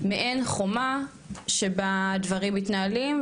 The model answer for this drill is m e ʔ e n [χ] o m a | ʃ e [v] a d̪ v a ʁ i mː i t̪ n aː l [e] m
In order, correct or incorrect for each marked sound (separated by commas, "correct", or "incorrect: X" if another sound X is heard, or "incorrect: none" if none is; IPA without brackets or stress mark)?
correct, incorrect: b, incorrect: i